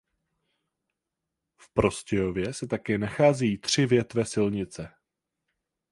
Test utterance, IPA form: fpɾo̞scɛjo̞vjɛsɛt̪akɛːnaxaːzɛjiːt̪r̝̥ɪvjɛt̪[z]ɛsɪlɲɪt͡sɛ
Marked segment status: incorrect: v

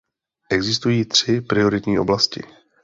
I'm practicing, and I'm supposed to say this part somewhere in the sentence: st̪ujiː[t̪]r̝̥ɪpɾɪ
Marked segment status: correct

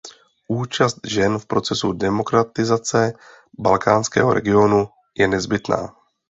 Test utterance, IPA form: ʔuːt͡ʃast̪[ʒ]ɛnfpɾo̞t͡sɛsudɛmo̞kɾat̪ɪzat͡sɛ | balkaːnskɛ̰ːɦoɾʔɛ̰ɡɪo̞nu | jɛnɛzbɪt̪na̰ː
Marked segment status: correct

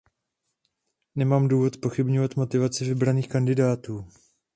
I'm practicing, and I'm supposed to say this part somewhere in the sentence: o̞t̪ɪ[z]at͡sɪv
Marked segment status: incorrect: v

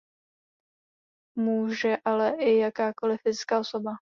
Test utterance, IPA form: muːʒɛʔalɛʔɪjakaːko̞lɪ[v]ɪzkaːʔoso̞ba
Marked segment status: incorrect: f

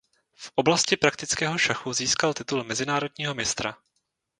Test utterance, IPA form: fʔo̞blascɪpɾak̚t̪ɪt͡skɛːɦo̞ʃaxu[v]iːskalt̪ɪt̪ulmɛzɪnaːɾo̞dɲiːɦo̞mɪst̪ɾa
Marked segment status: incorrect: z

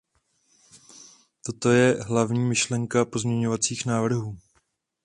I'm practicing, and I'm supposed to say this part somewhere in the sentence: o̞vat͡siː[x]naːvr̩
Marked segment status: correct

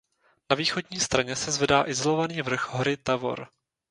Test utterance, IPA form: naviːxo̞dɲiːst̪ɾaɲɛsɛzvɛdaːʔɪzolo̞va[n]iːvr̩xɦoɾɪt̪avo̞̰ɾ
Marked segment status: correct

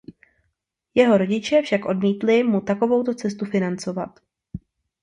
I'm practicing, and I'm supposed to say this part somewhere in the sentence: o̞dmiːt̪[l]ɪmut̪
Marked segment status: correct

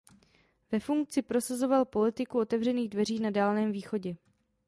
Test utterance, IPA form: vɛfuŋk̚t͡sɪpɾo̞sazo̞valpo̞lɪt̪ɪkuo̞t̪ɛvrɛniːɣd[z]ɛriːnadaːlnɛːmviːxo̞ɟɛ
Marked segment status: incorrect: v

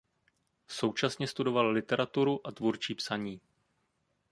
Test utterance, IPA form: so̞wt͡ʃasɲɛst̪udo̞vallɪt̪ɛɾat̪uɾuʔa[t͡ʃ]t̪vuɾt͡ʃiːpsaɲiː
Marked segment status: incorrect: none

